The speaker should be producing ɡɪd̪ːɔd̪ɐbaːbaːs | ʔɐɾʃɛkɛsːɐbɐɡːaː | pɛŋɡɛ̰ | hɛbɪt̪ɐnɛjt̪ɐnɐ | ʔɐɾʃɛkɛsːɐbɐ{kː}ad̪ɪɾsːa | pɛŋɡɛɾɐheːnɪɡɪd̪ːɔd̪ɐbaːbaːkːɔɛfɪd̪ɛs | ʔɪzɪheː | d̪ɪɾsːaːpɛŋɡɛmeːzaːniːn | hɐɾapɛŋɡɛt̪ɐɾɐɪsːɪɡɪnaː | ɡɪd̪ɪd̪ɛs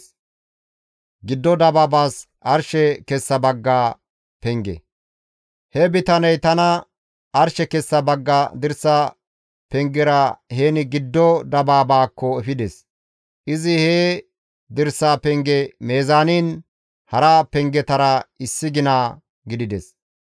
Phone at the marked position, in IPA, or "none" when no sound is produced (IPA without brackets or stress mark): ɡː